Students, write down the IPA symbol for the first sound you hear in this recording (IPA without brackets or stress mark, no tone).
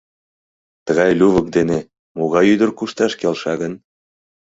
t̪